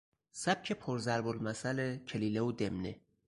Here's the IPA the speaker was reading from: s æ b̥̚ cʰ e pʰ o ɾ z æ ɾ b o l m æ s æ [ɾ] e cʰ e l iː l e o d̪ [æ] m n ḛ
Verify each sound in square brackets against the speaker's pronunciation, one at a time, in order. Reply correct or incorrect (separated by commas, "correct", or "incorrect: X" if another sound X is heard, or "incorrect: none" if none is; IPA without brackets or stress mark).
incorrect: l, incorrect: e